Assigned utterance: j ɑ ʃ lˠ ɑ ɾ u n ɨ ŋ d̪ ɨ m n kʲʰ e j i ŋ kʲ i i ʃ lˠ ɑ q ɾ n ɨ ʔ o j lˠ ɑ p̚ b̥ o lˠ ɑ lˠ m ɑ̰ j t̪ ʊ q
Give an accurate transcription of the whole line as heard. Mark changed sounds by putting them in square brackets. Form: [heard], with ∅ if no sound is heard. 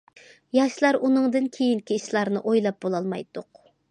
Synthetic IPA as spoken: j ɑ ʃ lˠ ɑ ɾ u n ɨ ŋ d̪ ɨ [∅] n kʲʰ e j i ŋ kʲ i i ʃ lˠ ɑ [∅] ɾ n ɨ ʔ o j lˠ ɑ p̚ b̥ o lˠ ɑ lˠ m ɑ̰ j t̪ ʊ q